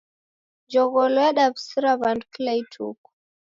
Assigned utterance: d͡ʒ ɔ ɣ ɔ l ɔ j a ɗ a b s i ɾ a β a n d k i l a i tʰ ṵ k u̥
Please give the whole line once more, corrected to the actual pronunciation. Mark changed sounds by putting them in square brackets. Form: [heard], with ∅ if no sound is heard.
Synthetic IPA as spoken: d͡ʒ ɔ ɣ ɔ l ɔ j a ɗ a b s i ɾ a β a n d k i l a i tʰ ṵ k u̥